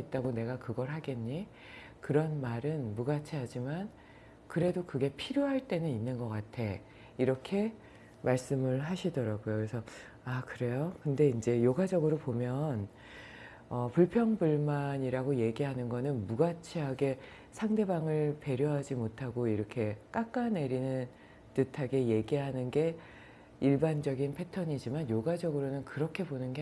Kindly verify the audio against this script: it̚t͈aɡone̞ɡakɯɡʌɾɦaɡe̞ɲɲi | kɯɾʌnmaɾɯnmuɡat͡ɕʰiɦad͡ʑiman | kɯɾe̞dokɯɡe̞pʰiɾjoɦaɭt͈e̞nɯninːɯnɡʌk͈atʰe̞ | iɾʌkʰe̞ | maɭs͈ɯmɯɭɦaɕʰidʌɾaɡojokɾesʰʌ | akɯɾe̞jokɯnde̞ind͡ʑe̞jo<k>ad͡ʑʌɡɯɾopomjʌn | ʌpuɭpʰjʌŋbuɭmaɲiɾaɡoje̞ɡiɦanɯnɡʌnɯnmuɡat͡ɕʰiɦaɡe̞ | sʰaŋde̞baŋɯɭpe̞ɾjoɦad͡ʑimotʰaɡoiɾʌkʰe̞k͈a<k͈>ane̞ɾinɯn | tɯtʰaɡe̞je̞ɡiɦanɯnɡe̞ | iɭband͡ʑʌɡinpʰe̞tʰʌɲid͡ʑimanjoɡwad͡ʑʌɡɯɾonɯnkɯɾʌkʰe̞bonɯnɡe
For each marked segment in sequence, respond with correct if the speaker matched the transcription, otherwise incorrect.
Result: incorrect: ɡ, correct

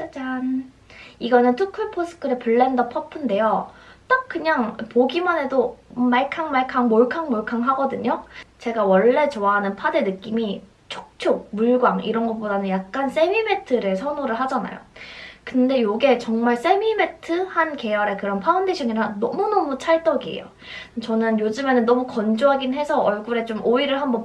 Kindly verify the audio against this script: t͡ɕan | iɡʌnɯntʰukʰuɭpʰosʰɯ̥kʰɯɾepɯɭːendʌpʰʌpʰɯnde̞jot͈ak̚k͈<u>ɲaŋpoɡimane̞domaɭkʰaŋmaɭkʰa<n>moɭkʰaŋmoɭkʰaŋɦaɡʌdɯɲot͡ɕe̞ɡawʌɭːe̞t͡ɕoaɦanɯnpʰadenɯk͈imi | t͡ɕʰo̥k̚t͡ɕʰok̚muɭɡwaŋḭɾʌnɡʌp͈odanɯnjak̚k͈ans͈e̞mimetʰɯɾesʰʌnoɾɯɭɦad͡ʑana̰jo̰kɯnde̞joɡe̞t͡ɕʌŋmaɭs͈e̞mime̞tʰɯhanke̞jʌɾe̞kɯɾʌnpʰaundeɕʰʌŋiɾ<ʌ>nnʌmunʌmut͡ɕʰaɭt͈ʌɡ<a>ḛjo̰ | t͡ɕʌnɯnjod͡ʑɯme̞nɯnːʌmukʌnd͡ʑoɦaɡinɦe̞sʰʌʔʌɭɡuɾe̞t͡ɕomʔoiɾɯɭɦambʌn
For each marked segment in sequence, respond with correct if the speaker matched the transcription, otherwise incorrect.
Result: incorrect: ɯ, incorrect: ŋ, incorrect: a, incorrect: i

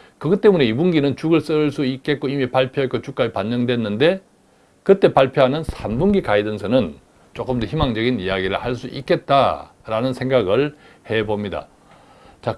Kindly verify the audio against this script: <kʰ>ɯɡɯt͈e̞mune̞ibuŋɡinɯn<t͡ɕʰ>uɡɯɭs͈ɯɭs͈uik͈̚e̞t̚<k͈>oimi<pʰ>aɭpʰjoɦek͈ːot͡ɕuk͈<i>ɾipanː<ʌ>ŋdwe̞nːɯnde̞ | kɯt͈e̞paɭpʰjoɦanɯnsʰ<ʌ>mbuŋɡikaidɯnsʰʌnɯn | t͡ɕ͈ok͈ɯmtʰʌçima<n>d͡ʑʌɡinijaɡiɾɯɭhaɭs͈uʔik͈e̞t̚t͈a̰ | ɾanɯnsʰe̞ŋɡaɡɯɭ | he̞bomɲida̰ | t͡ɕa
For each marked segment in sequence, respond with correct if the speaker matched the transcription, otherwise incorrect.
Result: incorrect: k, incorrect: t͡ɕ, correct, incorrect: p, incorrect: a, correct, incorrect: a, incorrect: ŋ

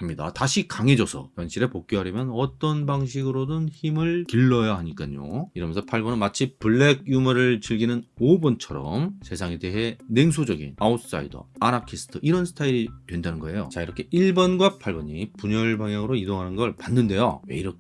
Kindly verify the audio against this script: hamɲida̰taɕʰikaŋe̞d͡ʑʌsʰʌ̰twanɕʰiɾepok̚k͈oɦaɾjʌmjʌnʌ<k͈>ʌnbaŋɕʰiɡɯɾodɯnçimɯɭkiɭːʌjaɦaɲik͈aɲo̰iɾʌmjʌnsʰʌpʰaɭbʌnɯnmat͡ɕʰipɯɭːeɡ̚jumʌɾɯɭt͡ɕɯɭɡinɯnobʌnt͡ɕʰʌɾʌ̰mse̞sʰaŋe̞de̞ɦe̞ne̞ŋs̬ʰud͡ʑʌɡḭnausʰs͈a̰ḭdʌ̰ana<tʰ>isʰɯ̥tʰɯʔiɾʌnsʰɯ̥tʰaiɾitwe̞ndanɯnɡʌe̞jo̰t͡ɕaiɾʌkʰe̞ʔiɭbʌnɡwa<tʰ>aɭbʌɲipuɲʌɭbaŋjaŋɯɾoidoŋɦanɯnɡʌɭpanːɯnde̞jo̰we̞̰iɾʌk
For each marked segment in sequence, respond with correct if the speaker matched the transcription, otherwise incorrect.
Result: incorrect: t͈, incorrect: kʰ, incorrect: pʰ

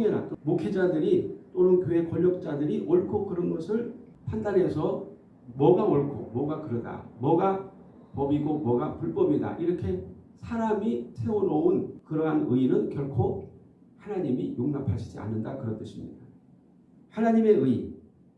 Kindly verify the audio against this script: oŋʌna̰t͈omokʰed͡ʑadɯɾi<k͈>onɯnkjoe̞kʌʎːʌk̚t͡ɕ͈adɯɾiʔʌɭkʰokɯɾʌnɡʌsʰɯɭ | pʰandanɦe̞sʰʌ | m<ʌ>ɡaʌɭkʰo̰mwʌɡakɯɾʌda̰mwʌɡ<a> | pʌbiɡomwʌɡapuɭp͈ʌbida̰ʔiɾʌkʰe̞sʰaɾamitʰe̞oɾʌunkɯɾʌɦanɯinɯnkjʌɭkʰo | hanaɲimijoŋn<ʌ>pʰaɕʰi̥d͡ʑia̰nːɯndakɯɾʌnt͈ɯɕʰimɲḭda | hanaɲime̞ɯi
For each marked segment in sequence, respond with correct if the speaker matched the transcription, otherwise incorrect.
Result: incorrect: t͈, correct, correct, incorrect: a

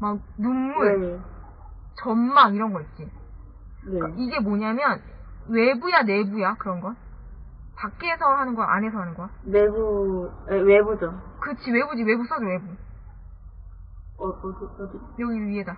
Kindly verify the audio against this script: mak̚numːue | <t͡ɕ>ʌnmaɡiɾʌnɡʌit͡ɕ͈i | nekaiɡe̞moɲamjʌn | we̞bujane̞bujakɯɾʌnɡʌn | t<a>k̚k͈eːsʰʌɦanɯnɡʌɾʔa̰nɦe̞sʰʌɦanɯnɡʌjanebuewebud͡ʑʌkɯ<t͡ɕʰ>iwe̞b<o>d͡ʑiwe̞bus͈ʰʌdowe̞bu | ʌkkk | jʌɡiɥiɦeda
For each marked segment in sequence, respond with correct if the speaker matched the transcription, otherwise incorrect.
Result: correct, correct, correct, incorrect: u

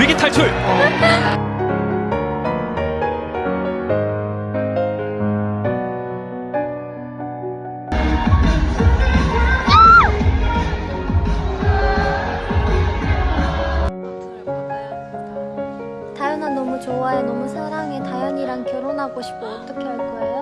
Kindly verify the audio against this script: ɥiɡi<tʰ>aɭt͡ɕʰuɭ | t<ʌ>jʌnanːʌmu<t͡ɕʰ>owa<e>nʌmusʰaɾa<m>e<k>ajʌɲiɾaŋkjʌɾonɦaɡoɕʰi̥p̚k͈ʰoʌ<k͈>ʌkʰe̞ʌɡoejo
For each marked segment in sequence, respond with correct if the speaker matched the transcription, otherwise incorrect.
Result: correct, incorrect: a, incorrect: t͡ɕ, correct, incorrect: ŋ, incorrect: t, incorrect: t͈

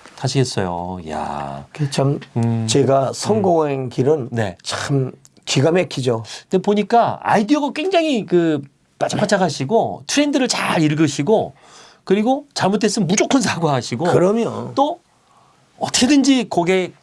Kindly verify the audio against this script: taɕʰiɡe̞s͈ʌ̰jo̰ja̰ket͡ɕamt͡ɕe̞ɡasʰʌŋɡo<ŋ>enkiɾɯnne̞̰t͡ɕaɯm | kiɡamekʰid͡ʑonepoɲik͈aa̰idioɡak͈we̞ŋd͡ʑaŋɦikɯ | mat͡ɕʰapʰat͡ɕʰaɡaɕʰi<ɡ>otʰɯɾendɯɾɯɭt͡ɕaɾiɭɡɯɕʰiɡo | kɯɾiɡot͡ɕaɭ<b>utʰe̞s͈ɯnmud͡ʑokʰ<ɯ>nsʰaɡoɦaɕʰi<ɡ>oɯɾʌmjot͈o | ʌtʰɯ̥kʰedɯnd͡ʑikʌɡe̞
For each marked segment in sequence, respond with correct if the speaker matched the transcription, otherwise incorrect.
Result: correct, correct, incorrect: m, correct, correct

